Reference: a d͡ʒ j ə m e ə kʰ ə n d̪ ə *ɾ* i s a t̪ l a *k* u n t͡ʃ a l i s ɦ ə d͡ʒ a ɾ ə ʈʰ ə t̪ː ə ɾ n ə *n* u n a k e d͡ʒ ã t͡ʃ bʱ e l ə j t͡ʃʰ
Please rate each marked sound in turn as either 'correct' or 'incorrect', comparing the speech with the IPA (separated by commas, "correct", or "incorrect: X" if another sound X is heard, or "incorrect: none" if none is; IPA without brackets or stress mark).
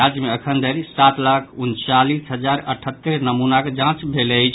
correct, incorrect: kʰ, incorrect: m